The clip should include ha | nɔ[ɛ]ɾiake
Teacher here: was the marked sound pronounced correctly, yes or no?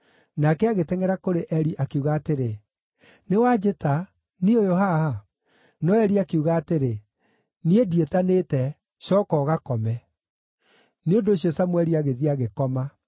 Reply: yes